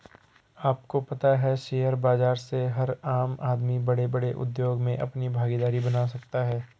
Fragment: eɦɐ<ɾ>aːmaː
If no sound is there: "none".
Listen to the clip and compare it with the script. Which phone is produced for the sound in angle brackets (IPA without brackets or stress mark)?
ɾ